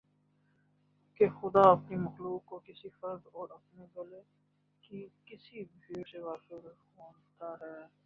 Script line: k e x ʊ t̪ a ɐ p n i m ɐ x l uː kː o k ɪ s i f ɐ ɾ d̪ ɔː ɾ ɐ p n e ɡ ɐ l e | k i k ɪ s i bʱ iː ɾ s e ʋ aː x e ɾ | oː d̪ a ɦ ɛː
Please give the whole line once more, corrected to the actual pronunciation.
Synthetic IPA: k e x ʊ d̪ a ɐ p n i m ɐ x l uː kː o k ɪ s i f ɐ ɾ d̪ ɔː ɾ ɐ p n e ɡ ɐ l e | k i k ɪ s i bʱ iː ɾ s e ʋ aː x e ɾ | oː t̪ a ɦ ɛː